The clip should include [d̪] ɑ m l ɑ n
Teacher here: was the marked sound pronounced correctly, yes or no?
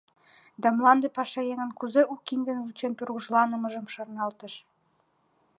yes